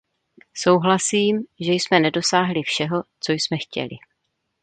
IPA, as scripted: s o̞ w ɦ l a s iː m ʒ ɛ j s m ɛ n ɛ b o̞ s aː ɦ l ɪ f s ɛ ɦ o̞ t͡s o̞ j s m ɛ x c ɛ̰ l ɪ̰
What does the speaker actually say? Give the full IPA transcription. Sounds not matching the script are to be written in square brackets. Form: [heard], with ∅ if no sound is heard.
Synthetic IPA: s o̞ w ɦ l a s iː m ʒ ɛ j s m ɛ n ɛ [d] o̞ s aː ɦ l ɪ f [ʃ] ɛ ɦ o̞ t͡s o̞ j s m ɛ x c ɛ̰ l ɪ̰